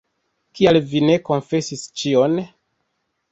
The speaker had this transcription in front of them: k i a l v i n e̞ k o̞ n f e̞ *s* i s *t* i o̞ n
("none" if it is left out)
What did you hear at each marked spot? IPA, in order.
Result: s, t͡ʃ

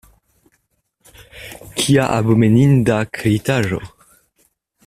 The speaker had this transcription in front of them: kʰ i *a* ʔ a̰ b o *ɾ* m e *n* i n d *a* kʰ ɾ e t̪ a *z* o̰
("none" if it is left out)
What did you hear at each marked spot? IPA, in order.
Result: a, none, n, a, ʒ

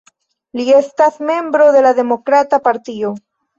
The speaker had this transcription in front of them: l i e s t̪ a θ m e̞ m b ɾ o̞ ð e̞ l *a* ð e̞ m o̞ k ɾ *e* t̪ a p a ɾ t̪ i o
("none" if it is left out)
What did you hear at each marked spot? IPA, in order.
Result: a, a

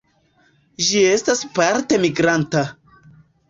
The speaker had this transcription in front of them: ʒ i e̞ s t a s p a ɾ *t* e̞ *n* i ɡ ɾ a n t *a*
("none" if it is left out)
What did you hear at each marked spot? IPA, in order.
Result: t, m, a

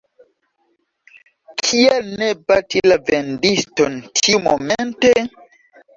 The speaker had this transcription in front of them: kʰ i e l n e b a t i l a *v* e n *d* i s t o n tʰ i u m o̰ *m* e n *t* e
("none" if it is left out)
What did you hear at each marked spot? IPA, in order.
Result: v, d, m, t

